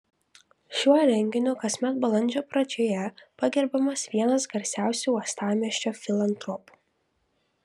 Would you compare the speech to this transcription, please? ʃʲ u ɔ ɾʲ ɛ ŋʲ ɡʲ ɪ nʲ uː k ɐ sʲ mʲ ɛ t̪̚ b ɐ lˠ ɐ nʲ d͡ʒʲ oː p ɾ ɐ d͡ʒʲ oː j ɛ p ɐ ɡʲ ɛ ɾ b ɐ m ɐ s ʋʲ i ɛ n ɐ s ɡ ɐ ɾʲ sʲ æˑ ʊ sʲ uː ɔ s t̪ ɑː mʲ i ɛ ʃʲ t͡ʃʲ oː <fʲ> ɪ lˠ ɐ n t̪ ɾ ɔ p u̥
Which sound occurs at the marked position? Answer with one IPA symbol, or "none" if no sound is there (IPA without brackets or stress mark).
fʲ